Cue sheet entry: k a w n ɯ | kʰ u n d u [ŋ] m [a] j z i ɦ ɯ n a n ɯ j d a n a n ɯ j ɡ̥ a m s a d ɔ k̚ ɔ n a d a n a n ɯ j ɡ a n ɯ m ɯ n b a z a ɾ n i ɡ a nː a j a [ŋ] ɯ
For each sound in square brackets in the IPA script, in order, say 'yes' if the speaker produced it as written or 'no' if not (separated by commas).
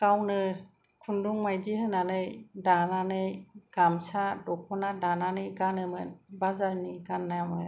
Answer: yes, yes, no